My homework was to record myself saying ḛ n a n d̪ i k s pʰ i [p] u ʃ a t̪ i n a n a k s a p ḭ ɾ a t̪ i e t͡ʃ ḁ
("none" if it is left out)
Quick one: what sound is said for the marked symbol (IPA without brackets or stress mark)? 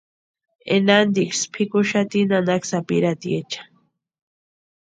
k